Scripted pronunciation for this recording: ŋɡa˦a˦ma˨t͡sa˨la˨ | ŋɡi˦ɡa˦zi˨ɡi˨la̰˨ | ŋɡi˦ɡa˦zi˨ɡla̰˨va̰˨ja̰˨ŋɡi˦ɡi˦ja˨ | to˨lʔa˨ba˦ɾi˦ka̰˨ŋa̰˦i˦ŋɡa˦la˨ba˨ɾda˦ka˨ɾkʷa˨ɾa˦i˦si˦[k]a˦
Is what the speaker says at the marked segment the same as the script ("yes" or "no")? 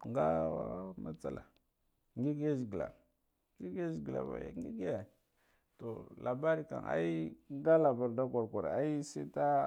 no